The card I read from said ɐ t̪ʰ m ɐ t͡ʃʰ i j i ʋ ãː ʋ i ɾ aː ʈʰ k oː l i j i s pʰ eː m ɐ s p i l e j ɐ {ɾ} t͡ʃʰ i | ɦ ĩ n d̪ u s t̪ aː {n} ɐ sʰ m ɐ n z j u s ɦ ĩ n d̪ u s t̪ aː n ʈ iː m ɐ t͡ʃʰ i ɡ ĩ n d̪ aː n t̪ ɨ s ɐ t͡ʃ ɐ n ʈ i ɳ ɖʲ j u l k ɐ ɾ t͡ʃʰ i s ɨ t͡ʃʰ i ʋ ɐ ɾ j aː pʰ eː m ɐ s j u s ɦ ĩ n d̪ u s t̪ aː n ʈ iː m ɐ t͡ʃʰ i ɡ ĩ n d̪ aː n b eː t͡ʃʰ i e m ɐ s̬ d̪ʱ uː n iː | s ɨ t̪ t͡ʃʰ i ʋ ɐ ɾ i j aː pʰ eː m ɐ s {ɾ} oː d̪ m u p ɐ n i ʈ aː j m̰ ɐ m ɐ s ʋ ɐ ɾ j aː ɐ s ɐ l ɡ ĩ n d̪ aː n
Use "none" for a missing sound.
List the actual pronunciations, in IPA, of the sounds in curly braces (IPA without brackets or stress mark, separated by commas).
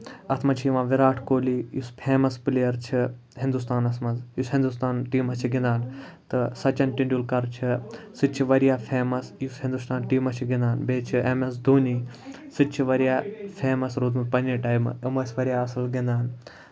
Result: ɾ, n, ɾ